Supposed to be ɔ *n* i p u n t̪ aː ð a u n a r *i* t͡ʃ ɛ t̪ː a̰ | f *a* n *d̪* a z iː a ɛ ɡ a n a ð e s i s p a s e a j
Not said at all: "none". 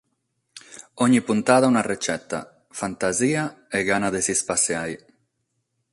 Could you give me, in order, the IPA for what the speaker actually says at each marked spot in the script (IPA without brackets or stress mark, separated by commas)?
ɲ, e, a, t̪